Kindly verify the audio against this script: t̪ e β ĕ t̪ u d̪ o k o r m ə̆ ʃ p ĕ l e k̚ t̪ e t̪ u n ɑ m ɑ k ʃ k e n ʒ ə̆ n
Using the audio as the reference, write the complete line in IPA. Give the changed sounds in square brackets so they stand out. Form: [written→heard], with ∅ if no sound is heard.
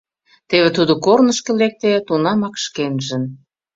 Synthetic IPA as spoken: t̪ e β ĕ t̪ u d̪ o k o r [m→n] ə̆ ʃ [p→k] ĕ l e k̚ t̪ e t̪ u n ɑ m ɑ k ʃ k e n ʒ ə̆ n